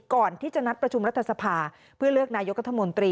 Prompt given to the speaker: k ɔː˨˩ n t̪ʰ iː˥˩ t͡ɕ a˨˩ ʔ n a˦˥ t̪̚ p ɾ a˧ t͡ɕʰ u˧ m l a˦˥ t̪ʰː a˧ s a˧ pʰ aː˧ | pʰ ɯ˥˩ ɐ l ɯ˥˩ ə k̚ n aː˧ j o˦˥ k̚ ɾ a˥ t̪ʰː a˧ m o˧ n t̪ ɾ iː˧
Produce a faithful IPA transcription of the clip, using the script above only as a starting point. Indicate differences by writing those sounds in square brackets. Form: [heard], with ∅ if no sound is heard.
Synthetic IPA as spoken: k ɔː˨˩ n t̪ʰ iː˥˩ t͡ɕ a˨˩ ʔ n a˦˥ t̪̚ p ɾ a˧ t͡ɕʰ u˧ m [ɾ] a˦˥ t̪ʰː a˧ s a˧ pʰ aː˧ | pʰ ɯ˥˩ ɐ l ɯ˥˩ ə k̚ n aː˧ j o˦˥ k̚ ɾ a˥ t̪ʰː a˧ m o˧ n t̪ ɾ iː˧

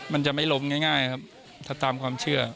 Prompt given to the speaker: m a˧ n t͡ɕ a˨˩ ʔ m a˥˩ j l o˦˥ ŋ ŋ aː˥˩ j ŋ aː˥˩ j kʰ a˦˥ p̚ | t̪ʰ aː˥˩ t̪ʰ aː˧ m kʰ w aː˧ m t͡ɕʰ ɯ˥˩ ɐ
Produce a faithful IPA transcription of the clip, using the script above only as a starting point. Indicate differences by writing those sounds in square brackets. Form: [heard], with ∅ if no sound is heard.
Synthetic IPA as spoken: m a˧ n t͡ɕ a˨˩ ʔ m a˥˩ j l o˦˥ [m] ŋ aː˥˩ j ŋ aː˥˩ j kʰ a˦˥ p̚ | t̪ʰ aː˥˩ [t̪] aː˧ m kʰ w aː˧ m t͡ɕʰ ɯ˥˩ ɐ

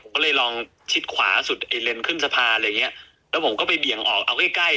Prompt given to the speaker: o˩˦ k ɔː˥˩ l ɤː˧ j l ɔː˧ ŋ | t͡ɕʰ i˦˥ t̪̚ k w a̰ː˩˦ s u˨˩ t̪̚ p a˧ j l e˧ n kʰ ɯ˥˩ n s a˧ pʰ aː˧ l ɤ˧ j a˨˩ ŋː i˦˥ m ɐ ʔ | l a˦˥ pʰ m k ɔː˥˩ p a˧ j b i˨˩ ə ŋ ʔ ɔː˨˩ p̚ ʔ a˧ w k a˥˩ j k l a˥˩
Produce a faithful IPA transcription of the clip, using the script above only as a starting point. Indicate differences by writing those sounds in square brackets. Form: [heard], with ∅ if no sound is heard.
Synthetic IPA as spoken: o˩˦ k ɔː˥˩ l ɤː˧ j l ɔː˧ ŋ | t͡ɕʰ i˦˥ t̪̚ [kʰ] w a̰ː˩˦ s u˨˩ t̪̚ [ʔ] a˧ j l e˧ n kʰ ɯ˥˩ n s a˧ pʰ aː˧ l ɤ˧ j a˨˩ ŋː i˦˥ [∅] ɐ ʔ | l [ɛ˦˥] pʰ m k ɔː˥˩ p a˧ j b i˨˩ ə ŋ ʔ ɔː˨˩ [k̚] ʔ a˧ w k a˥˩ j k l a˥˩

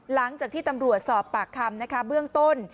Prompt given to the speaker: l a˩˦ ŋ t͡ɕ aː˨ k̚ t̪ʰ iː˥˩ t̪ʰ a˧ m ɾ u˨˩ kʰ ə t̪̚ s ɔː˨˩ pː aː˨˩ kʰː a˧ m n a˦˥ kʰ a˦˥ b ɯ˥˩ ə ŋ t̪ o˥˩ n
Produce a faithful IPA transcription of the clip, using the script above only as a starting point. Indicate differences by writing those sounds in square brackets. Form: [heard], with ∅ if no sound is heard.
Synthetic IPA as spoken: l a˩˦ ŋ t͡ɕ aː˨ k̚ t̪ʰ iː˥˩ [t̪] a˧ m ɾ u˨˩ [∅] ə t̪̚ s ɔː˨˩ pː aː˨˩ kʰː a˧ m n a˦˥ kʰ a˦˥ b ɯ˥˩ ə ŋ t̪ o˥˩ n

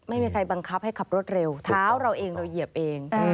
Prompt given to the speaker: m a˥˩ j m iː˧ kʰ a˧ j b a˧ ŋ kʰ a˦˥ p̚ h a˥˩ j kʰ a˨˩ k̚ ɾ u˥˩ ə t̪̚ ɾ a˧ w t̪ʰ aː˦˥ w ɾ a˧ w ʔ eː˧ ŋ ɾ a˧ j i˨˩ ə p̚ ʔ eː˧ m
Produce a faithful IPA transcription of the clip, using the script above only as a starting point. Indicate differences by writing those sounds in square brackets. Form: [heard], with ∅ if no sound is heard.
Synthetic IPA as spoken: m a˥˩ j m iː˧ kʰ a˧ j b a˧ ŋ kʰ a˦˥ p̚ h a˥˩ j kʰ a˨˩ [p̚] ɾ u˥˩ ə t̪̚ ɾ [e˧] w t̪ʰ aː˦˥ w ɾ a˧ w ʔ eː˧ ŋ ɾ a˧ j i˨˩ ə p̚ ʔ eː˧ [ŋ]

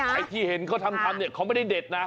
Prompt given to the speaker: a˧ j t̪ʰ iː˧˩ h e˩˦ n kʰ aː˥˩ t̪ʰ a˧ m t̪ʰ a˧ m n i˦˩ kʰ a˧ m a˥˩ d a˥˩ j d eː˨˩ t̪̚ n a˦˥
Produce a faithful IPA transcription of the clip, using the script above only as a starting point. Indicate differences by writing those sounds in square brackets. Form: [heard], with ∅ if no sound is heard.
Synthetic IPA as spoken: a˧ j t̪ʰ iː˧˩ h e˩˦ n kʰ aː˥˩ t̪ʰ a˧ m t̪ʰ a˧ m n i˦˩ kʰ [a˦˥] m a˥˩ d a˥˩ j d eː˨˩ t̪̚ n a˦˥

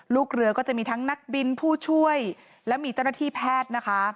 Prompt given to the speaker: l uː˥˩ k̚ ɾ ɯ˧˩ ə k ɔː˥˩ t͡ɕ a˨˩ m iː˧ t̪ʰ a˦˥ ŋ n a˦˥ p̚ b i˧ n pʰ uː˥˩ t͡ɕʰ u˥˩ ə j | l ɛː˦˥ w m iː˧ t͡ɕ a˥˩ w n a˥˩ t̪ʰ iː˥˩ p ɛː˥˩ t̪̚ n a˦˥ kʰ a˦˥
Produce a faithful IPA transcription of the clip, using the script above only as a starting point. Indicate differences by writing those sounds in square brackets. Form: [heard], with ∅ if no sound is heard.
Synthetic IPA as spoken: l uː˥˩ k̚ ɾ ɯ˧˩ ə k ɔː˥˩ t͡ɕ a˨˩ m iː˧ t̪ʰ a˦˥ ŋ n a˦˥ [k̚] b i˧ n pʰ uː˥˩ t͡ɕʰ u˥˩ ə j | l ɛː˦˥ w m iː˧ t͡ɕ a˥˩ w n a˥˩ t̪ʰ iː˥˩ [pʰ] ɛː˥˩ t̪̚ n a˦˥ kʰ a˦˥

